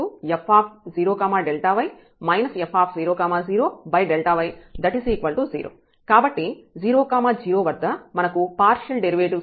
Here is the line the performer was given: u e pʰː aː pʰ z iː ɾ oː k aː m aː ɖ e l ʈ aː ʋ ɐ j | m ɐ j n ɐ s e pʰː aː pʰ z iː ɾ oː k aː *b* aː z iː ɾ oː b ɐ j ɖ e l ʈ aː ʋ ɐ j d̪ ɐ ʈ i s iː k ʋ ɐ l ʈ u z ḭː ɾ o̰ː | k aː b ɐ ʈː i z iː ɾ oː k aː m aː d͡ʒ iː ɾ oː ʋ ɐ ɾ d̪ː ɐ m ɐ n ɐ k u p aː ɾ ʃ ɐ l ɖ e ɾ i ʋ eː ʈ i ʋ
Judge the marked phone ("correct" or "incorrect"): incorrect